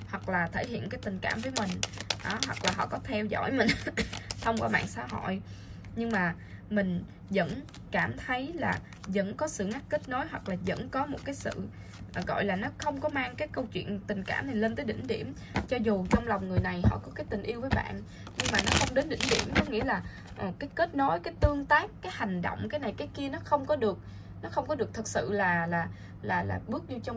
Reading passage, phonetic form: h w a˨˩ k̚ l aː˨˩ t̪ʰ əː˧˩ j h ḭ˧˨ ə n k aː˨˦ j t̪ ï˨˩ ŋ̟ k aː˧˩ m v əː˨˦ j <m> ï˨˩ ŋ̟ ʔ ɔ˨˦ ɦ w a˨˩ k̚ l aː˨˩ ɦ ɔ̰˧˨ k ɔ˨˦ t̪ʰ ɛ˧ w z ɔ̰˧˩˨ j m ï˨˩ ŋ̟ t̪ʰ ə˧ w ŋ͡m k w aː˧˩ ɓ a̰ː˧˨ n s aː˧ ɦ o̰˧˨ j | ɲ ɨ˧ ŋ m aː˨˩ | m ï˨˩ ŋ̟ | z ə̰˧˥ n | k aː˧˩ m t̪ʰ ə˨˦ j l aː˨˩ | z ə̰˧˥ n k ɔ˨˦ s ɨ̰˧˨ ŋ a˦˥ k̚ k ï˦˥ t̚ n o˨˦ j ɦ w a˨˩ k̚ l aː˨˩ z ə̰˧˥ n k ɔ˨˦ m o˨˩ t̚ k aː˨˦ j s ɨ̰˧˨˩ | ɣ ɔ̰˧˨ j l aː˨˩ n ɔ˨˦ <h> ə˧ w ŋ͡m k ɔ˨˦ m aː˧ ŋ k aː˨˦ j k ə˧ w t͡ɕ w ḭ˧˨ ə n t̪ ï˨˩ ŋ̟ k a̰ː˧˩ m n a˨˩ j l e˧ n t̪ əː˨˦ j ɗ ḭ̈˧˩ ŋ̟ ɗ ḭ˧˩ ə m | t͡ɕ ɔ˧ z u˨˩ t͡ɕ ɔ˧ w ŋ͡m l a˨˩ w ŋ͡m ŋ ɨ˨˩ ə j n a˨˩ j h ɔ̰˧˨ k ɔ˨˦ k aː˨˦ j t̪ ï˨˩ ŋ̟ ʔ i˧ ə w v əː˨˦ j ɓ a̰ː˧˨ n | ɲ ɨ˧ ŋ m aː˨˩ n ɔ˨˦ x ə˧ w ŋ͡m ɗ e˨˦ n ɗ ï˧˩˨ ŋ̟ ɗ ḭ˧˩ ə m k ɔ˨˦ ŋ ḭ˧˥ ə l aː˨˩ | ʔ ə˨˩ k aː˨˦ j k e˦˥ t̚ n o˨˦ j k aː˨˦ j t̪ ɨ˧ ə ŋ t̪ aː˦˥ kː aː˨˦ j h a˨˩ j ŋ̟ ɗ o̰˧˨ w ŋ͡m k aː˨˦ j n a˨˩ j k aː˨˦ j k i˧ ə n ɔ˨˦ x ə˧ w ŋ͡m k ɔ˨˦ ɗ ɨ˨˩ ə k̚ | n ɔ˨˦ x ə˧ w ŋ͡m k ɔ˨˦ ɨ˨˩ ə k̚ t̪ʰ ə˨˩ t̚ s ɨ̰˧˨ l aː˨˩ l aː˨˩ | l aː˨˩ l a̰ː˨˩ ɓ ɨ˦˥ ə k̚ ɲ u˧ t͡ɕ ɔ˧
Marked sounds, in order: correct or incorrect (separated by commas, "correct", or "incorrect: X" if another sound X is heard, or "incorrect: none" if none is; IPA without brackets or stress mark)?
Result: correct, incorrect: x